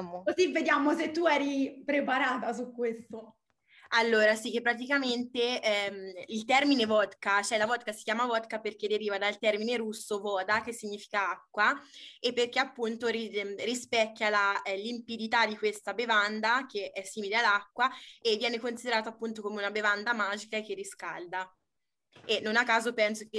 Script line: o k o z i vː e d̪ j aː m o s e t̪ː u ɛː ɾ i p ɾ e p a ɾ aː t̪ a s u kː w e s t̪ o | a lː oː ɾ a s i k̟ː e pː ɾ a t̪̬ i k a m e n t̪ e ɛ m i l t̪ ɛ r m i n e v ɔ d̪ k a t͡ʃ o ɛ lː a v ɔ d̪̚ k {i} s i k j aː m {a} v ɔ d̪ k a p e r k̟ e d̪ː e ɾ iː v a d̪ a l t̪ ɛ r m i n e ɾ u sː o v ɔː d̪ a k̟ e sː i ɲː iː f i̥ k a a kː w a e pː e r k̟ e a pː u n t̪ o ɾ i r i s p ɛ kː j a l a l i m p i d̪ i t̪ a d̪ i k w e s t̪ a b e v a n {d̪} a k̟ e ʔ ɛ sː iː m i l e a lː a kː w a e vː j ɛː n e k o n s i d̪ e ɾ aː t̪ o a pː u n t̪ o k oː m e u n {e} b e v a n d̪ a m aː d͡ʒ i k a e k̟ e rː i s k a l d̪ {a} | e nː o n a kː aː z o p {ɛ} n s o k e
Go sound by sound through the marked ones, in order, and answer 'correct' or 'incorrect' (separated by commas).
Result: incorrect, correct, correct, incorrect, correct, correct